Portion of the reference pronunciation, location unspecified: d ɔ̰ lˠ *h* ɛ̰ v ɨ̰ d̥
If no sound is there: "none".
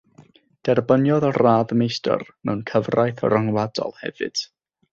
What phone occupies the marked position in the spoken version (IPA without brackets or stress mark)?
h